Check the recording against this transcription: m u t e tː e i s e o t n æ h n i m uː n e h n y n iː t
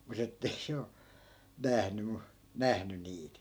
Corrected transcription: m u t e tː e i s e o n æ h n y m u n æ h n y n iː t